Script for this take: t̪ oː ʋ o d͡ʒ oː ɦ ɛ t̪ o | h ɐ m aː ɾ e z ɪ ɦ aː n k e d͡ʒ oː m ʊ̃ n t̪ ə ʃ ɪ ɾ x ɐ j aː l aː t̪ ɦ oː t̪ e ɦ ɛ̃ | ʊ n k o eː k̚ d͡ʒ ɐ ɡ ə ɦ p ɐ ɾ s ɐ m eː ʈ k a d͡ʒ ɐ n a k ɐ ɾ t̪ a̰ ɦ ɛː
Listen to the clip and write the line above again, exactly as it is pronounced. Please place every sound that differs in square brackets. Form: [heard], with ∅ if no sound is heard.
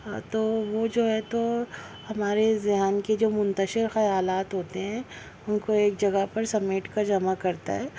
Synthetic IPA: t̪ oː ʋ o d͡ʒ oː ɦ ɛ t̪ o | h ɐ m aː ɾ e z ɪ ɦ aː n k e d͡ʒ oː m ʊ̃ n t̪ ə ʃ ɪ ɾ x ɐ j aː l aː t̪ ɦ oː t̪ e ɦ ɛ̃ | ʊ n k o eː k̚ d͡ʒ ɐ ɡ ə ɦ p ɐ ɾ s ɐ m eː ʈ k a d͡ʒ ɐ [m] a k ɐ ɾ t̪ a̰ ɦ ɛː